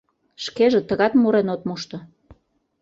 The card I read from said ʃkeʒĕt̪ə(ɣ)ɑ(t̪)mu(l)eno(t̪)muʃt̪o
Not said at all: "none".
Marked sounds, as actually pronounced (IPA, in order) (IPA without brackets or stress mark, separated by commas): ɣ, t̪, ɾ, t̪